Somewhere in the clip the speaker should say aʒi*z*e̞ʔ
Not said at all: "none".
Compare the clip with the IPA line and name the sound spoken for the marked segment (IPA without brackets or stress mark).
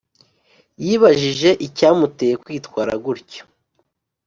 ʒ